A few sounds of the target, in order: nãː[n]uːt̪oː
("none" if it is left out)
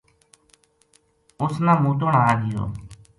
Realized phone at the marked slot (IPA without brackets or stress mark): m